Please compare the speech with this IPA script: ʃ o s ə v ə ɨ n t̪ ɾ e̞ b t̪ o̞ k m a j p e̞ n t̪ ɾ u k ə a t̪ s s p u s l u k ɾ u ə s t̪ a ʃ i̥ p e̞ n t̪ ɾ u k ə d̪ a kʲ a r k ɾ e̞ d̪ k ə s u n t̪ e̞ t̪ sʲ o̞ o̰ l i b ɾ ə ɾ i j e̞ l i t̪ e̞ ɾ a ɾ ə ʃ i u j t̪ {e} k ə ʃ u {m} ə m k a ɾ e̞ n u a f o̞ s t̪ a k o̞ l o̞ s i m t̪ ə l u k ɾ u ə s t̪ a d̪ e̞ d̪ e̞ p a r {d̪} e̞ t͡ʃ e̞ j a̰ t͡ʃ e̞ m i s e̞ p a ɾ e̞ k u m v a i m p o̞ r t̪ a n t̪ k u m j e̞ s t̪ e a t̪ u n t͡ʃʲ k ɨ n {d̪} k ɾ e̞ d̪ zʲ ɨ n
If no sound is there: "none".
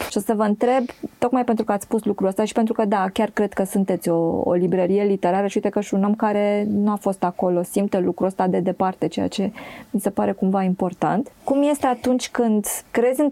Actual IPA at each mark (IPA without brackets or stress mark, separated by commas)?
e, n, t̪, d̪